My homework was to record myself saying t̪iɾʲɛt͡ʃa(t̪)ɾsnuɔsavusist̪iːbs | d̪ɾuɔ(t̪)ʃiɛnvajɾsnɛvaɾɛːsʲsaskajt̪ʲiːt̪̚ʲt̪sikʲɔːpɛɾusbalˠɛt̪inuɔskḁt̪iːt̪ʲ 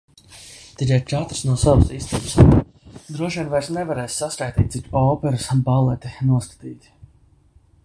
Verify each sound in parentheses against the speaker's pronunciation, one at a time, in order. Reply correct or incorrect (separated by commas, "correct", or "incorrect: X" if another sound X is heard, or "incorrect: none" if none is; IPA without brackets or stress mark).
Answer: correct, incorrect: none